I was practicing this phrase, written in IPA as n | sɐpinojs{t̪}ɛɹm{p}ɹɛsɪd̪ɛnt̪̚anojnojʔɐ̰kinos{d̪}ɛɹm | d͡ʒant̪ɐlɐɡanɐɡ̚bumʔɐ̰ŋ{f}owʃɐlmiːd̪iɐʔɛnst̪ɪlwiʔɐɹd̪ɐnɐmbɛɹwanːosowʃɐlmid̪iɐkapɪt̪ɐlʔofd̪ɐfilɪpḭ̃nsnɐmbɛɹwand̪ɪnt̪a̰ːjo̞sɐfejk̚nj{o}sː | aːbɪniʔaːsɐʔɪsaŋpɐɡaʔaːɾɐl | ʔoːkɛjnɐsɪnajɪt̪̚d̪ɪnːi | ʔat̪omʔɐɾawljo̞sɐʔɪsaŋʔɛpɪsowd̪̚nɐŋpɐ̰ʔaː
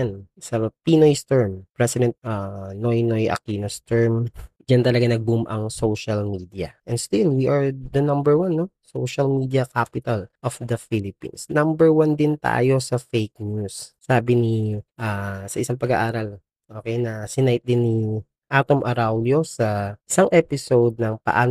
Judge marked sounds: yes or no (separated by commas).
yes, yes, no, no, no